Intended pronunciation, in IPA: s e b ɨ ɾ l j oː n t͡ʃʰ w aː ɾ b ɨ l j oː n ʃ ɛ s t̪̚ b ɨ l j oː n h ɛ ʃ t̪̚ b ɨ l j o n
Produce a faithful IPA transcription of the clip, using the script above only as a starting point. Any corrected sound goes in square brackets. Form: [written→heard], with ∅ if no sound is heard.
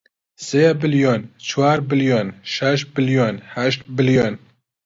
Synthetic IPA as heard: s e b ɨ [ɾ→∅] l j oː n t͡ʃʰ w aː ɾ b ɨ l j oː n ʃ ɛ [s→ʃ] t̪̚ b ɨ l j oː n h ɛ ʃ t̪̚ b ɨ l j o n